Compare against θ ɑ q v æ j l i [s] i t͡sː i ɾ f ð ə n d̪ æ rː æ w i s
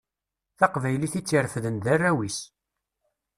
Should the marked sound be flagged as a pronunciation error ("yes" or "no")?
yes